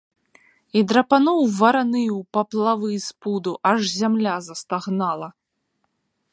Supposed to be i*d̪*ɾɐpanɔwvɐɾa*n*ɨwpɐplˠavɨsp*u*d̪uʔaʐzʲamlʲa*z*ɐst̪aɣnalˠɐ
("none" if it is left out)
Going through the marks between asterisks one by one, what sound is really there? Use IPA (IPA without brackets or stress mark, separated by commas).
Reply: d̪, n, u, z